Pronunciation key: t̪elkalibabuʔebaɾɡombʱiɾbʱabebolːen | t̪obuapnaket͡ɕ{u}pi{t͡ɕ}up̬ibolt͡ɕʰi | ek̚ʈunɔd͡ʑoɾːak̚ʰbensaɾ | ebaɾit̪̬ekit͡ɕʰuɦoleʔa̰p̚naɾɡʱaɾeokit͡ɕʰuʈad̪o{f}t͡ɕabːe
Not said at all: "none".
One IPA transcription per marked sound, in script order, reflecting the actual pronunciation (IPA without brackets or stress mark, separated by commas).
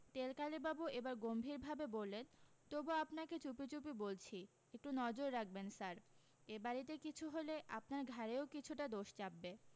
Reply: u, t͡ɕ, ʃ